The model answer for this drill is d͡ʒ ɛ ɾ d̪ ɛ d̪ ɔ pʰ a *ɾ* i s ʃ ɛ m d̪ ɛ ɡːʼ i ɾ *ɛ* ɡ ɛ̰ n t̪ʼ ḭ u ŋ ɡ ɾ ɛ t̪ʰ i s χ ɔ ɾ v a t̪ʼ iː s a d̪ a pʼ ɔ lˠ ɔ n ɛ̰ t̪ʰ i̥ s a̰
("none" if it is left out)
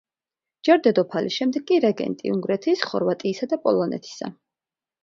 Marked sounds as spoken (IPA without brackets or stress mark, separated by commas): l, ɛ